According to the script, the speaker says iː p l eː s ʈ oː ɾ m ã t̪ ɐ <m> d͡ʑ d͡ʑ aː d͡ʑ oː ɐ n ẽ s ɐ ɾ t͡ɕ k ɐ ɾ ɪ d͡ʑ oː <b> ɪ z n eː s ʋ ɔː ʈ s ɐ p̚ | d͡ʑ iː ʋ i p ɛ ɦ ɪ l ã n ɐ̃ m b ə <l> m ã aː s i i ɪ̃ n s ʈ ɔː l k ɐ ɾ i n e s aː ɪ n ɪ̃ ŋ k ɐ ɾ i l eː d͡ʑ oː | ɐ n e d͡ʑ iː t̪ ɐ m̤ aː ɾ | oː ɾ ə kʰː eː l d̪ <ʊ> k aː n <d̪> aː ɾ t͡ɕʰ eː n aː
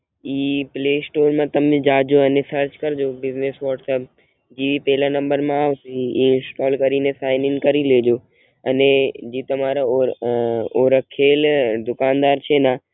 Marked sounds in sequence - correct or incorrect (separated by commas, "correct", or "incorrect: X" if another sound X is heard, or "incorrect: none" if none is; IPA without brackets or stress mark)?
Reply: correct, correct, incorrect: ɾ, correct, correct